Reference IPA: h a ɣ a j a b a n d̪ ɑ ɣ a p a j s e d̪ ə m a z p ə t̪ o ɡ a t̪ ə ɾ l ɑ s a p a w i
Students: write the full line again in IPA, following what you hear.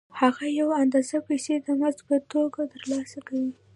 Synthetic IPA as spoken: h a ɣ a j a w a n d̪ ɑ z a p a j s e d̪ ə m a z p ə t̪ o ɡ a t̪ ə ɾ l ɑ s a k a w i